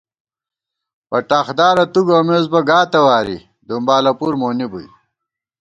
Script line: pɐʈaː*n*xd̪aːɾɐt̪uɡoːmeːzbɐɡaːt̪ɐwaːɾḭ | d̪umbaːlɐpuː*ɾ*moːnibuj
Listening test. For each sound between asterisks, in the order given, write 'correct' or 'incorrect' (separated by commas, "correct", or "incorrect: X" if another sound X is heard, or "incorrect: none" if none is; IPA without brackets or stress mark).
incorrect: none, correct